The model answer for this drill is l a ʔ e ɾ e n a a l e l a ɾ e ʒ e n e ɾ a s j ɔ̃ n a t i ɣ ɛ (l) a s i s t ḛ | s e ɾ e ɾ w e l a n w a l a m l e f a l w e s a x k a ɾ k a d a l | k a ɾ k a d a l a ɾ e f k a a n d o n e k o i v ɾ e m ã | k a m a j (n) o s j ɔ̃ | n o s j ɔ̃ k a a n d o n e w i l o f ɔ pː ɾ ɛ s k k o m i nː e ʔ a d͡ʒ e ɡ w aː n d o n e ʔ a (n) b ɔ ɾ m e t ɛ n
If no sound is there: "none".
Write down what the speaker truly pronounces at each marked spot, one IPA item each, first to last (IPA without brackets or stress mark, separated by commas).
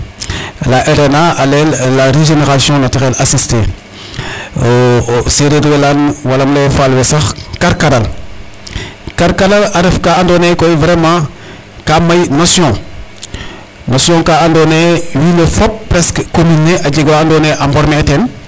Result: l, n, m